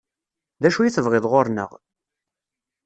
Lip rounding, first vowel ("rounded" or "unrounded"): unrounded